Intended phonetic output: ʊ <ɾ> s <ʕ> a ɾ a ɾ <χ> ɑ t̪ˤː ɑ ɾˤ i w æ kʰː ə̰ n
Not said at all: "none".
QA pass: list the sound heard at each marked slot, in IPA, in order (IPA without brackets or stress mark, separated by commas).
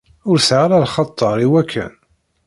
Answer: ɾ, ʕ, χ